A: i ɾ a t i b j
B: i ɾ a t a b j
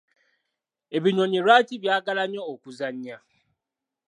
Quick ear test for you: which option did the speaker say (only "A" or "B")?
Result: A